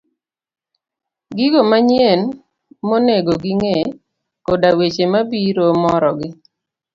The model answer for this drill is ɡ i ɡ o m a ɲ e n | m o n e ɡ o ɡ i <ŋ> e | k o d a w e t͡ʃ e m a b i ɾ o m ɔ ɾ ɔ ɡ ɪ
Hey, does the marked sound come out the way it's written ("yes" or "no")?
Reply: yes